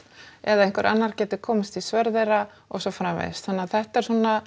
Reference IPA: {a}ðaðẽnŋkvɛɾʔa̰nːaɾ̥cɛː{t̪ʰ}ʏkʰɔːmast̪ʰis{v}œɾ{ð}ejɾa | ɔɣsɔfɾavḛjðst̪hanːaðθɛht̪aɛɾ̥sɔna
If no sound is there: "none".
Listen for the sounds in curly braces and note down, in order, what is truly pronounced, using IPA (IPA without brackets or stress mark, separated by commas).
ɛ, t̪, v, ð